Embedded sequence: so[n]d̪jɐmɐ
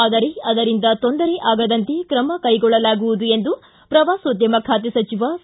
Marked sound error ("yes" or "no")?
yes